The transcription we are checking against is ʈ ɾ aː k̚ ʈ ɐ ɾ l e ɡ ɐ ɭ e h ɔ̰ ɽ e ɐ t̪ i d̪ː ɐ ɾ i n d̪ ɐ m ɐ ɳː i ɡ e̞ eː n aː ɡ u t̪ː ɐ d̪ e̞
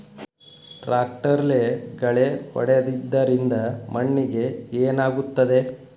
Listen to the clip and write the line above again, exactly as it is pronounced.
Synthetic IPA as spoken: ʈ ɾ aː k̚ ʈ ɐ ɾ l e ɡ ɐ ɭ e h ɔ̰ ɽ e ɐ d̪ i d̪ː ɐ ɾ i n d̪ ɐ m ɐ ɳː i ɡ e̞ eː n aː ɡ u t̪ː ɐ d̪ e̞

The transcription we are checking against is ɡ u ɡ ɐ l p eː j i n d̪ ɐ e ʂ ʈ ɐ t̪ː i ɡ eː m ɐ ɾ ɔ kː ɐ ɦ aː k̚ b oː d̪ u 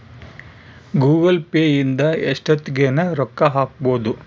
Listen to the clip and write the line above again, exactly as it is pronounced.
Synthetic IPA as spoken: ɡ uː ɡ ɐ l p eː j i n d̪ ɐ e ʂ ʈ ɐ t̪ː i ɡ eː n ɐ ɾ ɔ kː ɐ ɦ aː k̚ b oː d̪ u

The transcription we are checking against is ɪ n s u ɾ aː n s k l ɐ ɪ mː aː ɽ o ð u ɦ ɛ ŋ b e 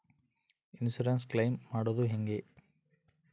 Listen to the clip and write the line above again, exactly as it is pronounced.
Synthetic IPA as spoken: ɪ n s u ɾ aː n s k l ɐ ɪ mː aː ɽ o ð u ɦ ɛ ŋ ɡ e

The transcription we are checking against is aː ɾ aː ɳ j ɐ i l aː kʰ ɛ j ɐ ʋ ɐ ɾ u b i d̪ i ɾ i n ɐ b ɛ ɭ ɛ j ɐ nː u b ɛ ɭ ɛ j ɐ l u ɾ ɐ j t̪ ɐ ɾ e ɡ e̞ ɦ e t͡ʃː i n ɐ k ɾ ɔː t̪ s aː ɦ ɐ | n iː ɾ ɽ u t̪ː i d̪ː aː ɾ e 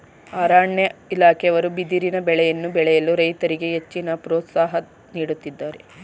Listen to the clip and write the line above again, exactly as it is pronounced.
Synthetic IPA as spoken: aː ɾ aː ɳ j ɐ i l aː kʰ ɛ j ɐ ʋ ɐ ɾ u b i d̪ i ɾ i n ɐ b ɛ ɭ ɛ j ɐ nː u b ɛ ɭ ɛ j ɐ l u ɾ ɐ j t̪ ɐ ɾ i ɡ e̞ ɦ e t͡ʃː i n ɐ p ɾ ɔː t̪ s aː ɦ ɐ | n iː ɽ u t̪ː i d̪ː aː ɾ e

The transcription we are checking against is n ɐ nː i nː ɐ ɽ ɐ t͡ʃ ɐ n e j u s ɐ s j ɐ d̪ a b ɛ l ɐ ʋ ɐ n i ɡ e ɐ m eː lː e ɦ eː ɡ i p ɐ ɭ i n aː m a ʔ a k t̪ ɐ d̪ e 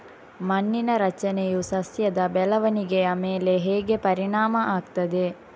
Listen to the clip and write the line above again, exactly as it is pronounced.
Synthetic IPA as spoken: m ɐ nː i n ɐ ɾ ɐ t͡ʃ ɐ n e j u s ɐ s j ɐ d̪ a b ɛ l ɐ ʋ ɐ n i ɡ e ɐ m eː l e ɦ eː ɡ e p ɐ ɾ i n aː m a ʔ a k t̪ ɐ d̪ e

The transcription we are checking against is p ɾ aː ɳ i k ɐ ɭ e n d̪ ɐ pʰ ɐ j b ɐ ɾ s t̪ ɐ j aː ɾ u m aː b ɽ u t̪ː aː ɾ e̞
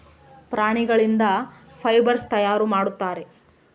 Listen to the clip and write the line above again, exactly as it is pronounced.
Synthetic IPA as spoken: p ɾ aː ɳ i ɡ ɐ ɭ i n d̪ ɐ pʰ ɐ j b ɐ ɾ s t̪ ɐ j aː ɾ u m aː ɽ u t̪ː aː ɾ e̞

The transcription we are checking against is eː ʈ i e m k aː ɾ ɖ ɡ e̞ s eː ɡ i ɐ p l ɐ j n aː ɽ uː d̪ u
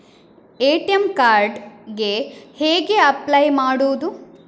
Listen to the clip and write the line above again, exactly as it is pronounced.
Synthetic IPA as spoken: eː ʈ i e m k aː ɾ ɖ ɡ e̞ h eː ɡ e ɐ p l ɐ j m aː ɽ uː d̪ u

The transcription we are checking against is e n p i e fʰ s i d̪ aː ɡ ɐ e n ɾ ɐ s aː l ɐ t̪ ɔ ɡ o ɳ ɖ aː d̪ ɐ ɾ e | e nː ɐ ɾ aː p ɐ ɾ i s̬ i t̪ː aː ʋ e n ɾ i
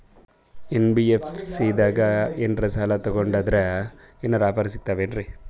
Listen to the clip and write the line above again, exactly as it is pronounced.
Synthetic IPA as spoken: e n b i e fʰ s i d̪ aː ɡ ɐ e n ɾ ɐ s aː l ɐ t̪ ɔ ɡ o ɳ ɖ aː d̪ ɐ ɾ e | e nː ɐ ɾ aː p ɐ ɾ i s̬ i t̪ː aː ʋ e n ɾ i

